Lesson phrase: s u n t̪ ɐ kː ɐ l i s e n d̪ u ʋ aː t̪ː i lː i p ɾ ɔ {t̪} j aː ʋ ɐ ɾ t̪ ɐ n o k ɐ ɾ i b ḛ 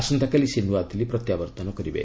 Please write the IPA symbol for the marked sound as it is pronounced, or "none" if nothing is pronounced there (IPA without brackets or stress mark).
t̪